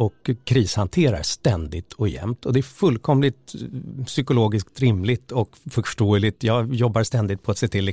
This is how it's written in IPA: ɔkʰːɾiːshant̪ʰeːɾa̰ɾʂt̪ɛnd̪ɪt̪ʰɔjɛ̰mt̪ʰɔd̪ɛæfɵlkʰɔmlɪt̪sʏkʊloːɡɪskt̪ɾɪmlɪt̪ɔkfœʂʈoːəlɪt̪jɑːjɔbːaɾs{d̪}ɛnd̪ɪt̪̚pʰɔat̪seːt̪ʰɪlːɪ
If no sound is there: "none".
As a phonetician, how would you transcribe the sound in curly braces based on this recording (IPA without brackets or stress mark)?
t̪